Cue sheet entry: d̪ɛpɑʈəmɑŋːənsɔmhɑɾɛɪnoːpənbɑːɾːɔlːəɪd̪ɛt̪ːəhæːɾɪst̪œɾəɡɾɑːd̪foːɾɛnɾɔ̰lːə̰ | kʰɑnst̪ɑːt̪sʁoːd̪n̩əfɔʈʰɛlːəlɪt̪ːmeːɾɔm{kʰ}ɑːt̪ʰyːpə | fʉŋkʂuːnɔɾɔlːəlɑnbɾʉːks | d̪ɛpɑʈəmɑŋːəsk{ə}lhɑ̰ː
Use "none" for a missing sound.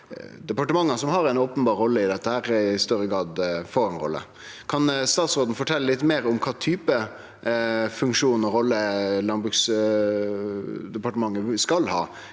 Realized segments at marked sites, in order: kʰ, ɑ

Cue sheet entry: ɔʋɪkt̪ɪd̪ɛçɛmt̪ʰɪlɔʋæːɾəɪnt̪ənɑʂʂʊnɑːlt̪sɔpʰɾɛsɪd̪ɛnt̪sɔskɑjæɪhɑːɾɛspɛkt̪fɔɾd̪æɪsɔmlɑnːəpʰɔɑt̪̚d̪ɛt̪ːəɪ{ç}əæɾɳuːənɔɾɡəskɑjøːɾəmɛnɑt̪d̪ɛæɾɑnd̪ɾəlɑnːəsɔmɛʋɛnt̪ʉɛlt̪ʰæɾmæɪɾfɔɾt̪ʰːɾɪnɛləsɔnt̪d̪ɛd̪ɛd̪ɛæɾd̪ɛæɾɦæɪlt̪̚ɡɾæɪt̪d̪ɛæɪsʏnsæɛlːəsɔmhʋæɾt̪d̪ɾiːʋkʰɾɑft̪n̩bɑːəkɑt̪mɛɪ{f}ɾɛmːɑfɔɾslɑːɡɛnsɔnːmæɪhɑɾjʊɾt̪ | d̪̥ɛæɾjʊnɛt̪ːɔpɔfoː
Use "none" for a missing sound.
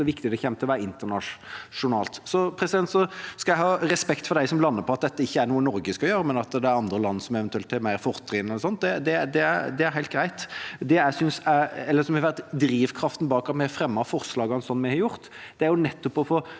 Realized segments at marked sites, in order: çː, f

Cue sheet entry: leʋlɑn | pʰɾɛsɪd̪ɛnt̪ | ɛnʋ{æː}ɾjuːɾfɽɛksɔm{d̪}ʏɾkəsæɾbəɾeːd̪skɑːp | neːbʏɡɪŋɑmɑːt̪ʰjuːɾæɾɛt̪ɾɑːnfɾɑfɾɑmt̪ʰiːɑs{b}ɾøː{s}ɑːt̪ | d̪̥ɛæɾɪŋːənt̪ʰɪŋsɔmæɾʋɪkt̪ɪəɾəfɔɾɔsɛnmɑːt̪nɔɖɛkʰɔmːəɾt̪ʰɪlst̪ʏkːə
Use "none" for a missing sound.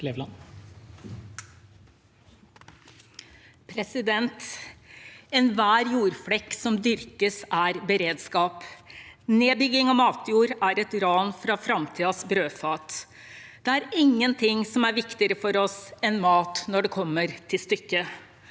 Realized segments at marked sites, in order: æː, d̪, b, f

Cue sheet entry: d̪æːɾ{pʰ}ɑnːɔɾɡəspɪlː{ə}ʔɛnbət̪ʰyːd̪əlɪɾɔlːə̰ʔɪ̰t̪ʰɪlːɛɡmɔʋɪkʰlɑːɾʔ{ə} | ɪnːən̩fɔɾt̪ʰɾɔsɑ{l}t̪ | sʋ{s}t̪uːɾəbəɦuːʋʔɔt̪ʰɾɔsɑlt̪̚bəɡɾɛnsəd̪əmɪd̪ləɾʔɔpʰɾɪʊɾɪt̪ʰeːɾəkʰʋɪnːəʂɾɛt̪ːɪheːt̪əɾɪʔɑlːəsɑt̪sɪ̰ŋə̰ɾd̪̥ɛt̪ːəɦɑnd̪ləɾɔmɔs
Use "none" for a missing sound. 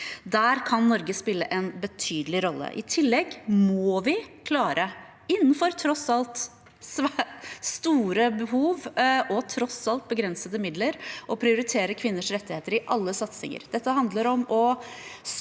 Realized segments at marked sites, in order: kʰ, ə, ə, l, s

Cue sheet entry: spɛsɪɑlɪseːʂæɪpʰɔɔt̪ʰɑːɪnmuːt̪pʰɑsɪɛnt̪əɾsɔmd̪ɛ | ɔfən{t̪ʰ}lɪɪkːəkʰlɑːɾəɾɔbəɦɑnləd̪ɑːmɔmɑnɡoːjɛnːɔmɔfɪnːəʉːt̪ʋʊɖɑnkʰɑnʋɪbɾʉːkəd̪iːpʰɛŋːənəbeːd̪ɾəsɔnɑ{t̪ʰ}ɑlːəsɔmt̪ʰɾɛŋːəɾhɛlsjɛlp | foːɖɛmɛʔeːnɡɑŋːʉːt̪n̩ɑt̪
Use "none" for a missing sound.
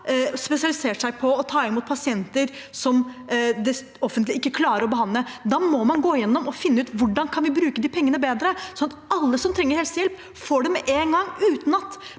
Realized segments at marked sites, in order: t̪, t̪

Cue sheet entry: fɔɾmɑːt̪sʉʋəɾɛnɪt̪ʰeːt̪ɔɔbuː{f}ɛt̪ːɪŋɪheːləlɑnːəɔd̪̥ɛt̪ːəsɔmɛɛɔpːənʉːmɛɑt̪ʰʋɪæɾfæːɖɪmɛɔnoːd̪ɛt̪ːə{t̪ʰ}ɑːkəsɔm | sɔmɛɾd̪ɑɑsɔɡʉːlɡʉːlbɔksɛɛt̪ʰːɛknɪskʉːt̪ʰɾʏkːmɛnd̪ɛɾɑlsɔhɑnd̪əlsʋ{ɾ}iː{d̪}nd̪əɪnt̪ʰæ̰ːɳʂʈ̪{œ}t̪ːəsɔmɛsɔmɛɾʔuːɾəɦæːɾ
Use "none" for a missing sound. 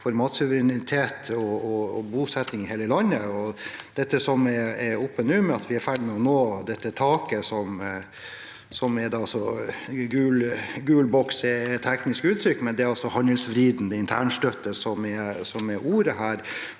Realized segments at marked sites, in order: s, t̪ʰ, ɾ, d̪, œ

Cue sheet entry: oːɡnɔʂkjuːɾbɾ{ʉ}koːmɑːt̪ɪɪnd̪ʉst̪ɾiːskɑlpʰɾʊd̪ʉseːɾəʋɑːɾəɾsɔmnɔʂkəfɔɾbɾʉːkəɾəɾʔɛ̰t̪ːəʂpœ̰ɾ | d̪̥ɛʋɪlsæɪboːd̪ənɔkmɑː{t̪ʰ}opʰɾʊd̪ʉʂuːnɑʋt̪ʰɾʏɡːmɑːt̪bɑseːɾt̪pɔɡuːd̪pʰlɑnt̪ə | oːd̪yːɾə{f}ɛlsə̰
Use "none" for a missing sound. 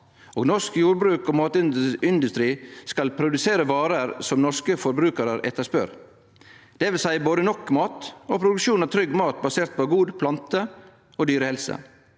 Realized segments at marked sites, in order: ʉː, t̪, h

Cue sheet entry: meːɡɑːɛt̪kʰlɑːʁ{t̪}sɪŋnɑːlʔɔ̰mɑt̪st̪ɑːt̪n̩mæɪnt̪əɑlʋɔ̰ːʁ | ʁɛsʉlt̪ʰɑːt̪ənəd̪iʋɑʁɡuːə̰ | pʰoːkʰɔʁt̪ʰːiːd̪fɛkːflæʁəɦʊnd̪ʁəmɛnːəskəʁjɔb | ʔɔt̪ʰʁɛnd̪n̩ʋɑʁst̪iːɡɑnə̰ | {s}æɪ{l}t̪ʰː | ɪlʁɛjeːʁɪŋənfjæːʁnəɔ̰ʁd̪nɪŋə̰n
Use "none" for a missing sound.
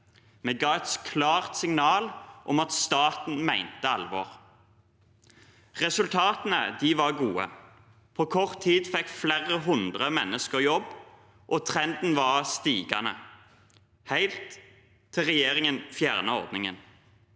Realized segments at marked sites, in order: t̪, h, l

